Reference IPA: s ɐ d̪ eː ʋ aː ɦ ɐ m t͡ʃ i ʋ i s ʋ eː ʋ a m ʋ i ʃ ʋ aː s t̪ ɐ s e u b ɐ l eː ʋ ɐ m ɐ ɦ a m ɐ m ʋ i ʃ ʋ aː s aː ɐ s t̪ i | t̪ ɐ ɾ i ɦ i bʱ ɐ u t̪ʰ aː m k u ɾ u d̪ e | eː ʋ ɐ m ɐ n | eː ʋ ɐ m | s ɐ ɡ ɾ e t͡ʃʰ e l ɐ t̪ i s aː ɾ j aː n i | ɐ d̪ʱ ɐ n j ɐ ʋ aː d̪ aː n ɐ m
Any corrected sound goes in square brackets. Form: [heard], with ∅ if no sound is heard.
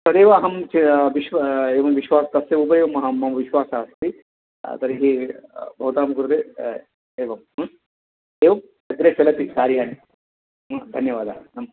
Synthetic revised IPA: s ɐ d̪ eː ʋ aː ɦ ɐ m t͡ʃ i ʋ i [ʃ] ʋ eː ʋ [ɐ] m ʋ i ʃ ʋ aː s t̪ ɐ s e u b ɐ [ɾ] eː ʋ ɐ m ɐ ɦ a m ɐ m ʋ i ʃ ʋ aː s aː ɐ s t̪ i | t̪ ɐ ɾ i ɦ i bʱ ɐ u [t̪] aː m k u ɾ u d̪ e | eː ʋ ɐ m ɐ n | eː ʋ ɐ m | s ɐ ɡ ɾ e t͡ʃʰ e l ɐ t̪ i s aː ɾ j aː n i | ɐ d̪ʱ ɐ n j ɐ ʋ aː d̪ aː n ɐ m